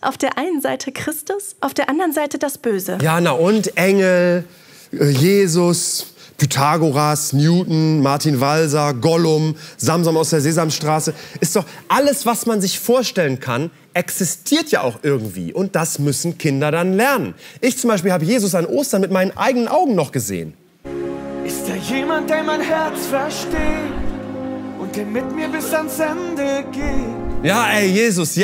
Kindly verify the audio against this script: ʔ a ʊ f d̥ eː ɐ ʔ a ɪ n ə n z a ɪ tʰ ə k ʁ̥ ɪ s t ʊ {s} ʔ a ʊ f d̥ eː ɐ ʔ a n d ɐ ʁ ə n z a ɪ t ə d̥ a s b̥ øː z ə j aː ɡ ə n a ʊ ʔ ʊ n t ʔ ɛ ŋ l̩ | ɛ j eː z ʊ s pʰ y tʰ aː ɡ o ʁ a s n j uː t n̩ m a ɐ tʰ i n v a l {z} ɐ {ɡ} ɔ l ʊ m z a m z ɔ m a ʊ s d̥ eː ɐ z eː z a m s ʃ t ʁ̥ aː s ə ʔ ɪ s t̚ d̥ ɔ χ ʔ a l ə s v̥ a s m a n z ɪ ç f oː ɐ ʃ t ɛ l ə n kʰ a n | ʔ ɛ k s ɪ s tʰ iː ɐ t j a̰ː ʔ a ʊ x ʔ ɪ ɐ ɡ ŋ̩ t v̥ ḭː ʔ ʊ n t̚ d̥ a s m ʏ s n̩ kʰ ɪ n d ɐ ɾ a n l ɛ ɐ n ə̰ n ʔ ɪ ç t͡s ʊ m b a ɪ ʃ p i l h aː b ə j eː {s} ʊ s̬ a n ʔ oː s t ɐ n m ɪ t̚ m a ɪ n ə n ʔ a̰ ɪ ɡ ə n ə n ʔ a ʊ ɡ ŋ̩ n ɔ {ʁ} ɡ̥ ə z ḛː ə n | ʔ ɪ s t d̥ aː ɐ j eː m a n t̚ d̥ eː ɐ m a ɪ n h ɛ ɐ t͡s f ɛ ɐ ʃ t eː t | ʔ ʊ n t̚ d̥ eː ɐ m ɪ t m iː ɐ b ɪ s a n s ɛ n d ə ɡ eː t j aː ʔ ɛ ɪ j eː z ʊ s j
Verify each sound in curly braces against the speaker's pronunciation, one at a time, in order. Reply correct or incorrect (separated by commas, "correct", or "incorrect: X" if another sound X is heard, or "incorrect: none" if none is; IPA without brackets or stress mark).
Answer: correct, correct, correct, incorrect: z, incorrect: χ